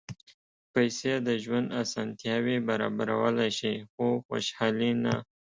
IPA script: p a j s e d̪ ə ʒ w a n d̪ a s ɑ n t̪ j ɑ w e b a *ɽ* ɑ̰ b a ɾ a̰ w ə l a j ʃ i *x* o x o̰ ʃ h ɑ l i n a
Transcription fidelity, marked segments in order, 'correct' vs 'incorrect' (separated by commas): incorrect, correct